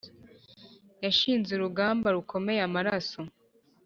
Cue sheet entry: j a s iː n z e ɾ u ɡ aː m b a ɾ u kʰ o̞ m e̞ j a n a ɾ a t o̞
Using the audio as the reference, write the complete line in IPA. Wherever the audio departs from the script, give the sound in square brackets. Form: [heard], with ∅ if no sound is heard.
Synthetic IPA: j a [ʃ] iː n z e ɾ u ɡ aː m b a ɾ u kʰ o̞ m e̞ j a [m] a ɾ a [s] o̞